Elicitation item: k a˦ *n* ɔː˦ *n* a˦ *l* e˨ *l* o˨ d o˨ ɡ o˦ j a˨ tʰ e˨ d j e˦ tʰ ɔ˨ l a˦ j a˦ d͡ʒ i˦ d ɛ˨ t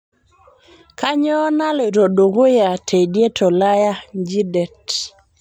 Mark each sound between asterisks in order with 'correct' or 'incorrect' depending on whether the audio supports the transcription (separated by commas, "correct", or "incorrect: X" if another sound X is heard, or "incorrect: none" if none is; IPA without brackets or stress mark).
incorrect: ɲ, correct, correct, incorrect: ɾ